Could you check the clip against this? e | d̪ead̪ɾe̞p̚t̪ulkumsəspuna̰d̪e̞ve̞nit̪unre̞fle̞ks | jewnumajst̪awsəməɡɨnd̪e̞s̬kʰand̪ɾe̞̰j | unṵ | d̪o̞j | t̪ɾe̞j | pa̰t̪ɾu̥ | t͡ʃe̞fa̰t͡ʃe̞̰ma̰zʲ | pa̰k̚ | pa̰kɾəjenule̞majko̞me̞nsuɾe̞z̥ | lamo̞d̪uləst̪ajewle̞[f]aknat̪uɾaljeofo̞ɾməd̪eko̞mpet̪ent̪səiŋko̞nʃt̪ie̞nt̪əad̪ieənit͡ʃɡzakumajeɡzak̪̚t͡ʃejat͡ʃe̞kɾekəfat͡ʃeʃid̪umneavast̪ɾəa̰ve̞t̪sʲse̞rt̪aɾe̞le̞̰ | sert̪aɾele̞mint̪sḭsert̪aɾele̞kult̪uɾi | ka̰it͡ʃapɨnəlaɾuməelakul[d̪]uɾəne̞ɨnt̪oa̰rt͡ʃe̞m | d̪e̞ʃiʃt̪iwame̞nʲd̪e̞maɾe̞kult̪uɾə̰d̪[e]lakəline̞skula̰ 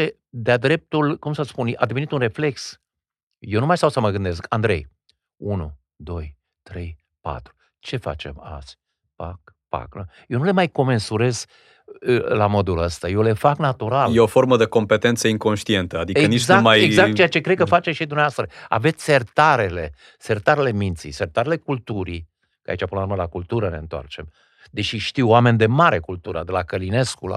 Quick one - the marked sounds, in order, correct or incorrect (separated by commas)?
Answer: correct, incorrect, correct